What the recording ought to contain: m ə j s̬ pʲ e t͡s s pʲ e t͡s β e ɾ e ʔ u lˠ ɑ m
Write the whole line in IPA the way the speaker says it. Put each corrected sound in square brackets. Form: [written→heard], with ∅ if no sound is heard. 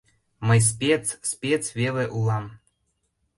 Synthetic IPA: m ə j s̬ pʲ e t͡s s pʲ e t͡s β e [ɾ→l] e ʔ u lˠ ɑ m

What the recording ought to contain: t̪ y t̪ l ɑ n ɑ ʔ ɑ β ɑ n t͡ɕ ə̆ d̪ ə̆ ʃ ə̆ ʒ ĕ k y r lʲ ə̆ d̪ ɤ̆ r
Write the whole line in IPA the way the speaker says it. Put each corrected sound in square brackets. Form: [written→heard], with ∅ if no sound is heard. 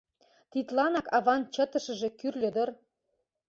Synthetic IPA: t̪ [y→i] t̪ l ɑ n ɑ [ʔ→k] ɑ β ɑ n t͡ɕ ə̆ [d̪→t̪] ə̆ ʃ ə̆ ʒ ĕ k y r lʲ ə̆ d̪ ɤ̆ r

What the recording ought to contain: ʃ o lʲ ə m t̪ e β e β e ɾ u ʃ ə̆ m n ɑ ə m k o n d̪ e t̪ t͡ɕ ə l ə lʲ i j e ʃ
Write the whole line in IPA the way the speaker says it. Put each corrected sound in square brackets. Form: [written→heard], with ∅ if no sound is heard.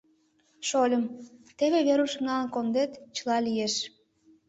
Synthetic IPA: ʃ o lʲ ə m t̪ e β e β e ɾ u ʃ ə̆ m n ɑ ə [m→n] k o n d̪ e t̪ t͡ɕ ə l [ə→ɑ] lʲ i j e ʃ

